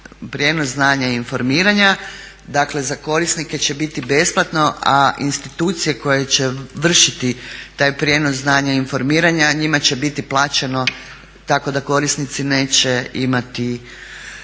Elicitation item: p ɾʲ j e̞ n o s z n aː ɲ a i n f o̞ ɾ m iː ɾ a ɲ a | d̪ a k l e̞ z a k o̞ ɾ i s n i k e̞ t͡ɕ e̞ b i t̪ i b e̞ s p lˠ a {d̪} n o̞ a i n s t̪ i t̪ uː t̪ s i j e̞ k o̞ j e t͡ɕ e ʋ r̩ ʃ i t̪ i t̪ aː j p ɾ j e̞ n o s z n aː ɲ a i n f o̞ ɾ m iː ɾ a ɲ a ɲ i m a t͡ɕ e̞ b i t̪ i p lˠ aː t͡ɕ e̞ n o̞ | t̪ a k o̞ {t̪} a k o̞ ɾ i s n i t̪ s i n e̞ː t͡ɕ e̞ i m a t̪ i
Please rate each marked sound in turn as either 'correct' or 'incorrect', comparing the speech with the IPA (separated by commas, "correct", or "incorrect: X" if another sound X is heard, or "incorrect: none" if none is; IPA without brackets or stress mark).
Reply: incorrect: t̪, incorrect: d̪